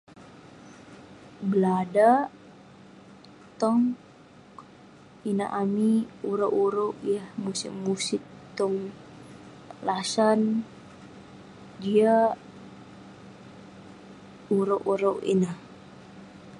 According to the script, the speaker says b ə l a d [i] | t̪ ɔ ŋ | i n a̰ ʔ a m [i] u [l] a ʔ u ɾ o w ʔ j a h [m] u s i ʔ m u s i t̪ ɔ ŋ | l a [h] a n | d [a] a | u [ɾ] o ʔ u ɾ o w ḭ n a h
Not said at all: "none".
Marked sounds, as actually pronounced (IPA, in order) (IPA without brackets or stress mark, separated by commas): a, i, ɾ, m, s, i, ɾ